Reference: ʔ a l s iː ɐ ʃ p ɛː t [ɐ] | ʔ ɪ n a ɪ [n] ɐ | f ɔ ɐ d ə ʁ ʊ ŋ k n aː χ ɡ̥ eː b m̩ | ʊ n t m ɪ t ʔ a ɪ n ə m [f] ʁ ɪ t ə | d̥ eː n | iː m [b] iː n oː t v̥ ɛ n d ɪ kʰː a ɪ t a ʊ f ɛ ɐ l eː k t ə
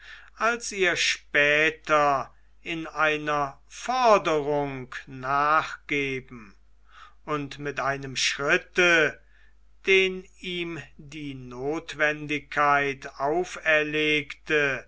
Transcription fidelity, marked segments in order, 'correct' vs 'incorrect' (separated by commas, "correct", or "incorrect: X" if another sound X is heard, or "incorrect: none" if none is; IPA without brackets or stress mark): correct, correct, incorrect: ʃ, incorrect: d